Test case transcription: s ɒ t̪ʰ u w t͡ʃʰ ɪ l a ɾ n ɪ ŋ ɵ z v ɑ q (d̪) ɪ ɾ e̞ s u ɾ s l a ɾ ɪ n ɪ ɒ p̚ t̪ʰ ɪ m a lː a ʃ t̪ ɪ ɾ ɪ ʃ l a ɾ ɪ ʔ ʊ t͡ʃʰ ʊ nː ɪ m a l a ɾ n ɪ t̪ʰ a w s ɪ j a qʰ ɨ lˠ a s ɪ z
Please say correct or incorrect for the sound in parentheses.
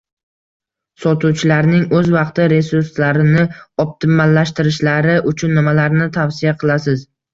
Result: incorrect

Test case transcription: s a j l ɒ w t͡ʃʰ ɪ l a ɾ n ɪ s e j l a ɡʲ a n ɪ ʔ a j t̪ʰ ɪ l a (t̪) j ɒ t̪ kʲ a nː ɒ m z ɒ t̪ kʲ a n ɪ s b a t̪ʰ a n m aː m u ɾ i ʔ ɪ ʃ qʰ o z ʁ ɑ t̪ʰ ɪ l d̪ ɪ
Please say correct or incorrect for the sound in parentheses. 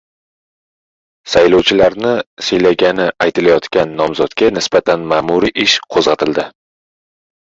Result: incorrect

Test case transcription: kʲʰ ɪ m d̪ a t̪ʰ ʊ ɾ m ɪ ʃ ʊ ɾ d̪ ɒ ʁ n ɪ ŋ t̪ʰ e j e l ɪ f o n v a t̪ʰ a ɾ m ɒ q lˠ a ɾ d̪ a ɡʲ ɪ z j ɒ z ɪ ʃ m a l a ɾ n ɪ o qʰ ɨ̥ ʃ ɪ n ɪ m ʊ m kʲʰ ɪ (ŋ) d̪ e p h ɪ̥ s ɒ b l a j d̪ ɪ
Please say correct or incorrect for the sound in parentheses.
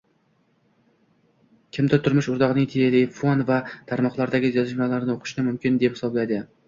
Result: incorrect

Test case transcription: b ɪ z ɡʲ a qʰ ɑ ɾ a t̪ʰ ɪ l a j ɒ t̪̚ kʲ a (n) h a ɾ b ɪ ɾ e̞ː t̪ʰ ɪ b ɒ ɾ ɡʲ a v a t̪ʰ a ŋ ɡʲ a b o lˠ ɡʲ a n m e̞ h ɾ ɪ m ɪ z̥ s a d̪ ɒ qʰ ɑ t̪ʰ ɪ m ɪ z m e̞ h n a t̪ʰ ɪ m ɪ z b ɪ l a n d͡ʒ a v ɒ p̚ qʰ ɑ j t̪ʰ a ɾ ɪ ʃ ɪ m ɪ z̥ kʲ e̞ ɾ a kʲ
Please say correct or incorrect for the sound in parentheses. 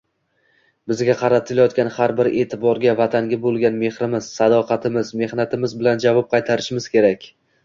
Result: correct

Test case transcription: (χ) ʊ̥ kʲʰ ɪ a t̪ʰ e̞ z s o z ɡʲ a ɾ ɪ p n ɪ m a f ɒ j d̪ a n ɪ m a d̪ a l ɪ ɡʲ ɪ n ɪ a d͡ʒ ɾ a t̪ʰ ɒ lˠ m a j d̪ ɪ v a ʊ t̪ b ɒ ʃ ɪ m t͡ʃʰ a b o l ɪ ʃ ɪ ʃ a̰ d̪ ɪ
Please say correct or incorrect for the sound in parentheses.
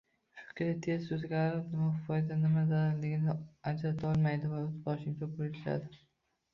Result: incorrect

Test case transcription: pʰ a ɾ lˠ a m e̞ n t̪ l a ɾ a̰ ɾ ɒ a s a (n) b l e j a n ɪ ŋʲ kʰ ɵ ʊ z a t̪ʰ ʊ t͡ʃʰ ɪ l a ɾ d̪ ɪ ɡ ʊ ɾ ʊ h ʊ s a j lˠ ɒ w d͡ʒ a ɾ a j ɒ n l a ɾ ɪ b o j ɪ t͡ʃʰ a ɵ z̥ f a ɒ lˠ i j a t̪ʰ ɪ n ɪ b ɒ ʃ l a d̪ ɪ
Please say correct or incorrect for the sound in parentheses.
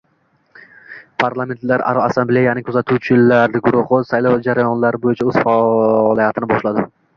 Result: incorrect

